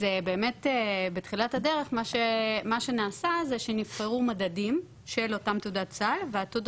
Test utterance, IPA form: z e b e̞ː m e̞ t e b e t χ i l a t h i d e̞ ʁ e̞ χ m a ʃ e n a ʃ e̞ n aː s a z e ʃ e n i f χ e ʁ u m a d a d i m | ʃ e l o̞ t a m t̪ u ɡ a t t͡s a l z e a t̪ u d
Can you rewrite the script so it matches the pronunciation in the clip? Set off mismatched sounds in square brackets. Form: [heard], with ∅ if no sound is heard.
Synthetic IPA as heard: z e b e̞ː m e̞ t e b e t χ i l a t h [a] d e̞ ʁ e̞ χ m a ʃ e [m] a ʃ e̞ n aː s a z e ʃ e n i f χ e ʁ u m a d a d i m | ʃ e l o̞ t a m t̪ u [d] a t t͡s a l [v] e a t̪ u d